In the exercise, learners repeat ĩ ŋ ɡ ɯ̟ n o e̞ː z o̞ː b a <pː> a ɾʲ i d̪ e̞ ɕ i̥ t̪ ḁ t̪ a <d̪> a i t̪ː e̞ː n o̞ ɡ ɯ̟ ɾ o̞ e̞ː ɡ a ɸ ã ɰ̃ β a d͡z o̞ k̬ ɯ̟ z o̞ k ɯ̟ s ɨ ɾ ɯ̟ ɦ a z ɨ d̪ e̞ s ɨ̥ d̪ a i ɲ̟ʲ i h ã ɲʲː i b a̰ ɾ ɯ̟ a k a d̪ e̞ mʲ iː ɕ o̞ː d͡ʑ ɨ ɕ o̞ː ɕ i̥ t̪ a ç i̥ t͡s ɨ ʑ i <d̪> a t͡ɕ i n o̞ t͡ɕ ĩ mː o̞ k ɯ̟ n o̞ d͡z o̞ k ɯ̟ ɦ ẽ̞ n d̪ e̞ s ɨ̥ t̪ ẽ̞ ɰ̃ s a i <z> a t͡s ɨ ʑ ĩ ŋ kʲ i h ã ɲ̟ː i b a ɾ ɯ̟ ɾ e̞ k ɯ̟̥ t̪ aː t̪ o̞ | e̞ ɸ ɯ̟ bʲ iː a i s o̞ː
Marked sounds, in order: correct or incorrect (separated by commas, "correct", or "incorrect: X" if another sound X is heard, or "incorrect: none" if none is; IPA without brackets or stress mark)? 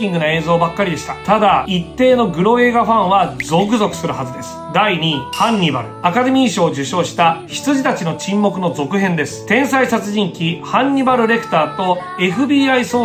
incorrect: kː, correct, incorrect: t̪, incorrect: s